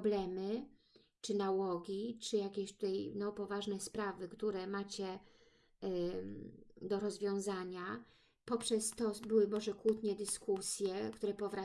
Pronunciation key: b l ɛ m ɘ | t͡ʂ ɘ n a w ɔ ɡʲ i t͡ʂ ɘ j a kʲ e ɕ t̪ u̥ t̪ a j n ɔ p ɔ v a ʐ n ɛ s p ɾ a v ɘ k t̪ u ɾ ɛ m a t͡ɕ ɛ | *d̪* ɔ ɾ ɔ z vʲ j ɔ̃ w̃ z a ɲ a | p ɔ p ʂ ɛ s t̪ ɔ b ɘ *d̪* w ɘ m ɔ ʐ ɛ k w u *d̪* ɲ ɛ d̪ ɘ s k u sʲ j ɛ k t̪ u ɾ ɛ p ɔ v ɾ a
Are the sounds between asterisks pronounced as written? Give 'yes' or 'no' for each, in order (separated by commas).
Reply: yes, no, no